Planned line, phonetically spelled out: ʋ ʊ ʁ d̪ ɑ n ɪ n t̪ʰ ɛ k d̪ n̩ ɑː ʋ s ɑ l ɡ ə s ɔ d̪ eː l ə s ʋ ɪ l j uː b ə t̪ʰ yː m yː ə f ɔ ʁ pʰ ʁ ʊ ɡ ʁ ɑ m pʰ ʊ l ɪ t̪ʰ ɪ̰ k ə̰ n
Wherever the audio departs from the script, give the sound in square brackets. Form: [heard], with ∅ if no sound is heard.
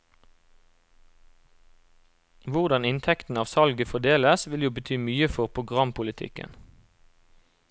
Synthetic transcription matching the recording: ʋ ʊ ʁ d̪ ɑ n ɪ n t̪ʰ ɛ k [t̪] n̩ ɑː ʋ s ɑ l ɡ ə [f] ɔ d̪ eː l ə s ʋ ɪ l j uː b ə t̪ʰ yː m yː ə f ɔ ʁ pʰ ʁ ʊ ɡ ʁ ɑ m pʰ ʊ l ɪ t̪ʰ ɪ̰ k ə̰ n